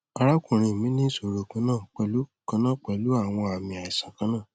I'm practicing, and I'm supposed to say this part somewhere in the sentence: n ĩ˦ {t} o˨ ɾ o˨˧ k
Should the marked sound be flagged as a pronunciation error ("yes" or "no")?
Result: yes